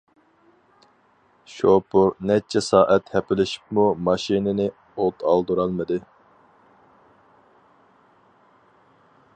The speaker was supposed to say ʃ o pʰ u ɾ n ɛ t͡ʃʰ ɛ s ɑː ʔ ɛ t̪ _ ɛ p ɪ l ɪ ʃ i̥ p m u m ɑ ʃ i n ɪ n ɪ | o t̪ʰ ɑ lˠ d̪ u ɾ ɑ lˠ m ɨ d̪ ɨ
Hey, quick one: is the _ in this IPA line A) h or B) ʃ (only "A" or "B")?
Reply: A